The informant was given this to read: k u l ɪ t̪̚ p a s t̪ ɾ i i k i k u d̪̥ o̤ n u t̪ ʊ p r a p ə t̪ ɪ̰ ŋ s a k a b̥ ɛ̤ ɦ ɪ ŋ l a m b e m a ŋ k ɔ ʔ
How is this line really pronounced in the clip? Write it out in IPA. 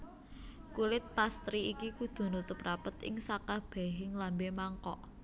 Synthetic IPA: k u l ɪ t̪̚ p a s t̪ ɾ i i k i k u d̪̥ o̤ n u t̪ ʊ p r a p ə t̪ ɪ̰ ŋ s a k a b̥ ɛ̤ ɦ ɪ ŋ l a m b e m a ŋ k ɔ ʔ